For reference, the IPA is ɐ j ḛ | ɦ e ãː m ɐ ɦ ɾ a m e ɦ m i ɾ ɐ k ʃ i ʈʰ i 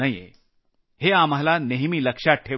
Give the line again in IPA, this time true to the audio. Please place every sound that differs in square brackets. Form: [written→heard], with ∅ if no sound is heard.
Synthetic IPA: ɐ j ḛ | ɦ e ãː m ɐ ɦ [ɾ→l] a [m→n] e ɦ m i [ɾ→l] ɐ k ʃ [i→a] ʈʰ [i→e]